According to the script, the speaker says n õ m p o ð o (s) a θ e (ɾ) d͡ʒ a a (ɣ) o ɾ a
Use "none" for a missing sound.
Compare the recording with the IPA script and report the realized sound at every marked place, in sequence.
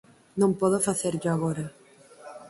f, ɾ, ɣ

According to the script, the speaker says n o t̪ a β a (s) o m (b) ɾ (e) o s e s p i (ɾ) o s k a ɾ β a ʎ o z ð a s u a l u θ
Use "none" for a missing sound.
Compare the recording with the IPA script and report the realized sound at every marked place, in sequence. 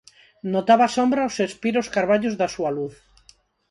s, b, a, ɾ

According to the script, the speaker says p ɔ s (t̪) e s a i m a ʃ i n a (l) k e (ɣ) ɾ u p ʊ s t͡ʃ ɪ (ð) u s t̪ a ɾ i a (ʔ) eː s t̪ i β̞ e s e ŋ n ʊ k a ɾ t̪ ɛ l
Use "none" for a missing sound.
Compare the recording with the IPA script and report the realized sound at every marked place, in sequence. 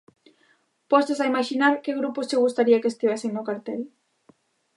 t̪, ɾ, ɣ, ɣ, k

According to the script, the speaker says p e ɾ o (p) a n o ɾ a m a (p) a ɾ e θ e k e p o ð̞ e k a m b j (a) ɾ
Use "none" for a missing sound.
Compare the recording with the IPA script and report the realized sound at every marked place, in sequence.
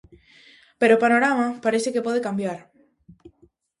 p, p, a

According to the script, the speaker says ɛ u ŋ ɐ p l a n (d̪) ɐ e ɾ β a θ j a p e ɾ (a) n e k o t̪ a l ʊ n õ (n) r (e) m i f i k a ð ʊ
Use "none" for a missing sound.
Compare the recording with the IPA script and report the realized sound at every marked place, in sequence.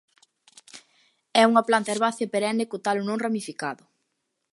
t̪, ɛ, ŋ, a

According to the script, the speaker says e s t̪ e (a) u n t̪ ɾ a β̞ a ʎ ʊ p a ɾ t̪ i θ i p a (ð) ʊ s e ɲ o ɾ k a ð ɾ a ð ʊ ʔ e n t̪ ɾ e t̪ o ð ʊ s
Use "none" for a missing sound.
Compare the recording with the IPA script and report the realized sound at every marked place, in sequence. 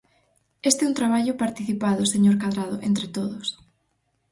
ɛ, ð

